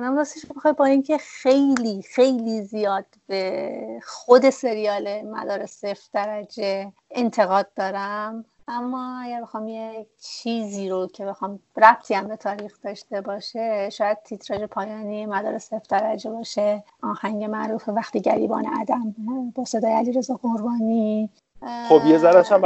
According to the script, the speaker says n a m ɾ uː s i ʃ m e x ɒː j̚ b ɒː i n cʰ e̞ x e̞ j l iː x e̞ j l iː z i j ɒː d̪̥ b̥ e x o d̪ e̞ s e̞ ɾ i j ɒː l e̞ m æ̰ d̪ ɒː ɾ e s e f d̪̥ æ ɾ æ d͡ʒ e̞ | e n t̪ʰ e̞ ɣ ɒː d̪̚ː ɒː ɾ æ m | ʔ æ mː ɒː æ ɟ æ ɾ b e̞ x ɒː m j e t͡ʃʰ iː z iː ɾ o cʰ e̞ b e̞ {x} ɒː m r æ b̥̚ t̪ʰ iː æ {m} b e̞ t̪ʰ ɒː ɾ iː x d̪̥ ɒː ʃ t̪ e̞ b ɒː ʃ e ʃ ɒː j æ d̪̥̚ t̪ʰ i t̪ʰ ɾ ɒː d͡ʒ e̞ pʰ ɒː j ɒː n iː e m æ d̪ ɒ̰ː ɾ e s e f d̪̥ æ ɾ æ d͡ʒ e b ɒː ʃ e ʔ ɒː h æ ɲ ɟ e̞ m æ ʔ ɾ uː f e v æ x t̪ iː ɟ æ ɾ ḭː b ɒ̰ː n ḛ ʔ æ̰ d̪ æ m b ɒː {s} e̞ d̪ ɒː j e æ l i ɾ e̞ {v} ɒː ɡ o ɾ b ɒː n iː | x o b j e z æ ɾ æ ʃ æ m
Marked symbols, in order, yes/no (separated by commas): yes, yes, yes, no